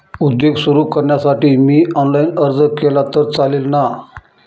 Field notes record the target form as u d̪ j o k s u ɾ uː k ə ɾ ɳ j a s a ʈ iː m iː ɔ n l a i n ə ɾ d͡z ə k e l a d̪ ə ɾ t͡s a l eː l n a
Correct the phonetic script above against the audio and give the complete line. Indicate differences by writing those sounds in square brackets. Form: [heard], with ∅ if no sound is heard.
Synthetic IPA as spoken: u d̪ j o [ɡ] s u ɾ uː k ə ɾ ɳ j a s a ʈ iː m iː ɔ n l a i n ə ɾ d͡z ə k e l a [t̪] ə ɾ t͡s a l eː l n a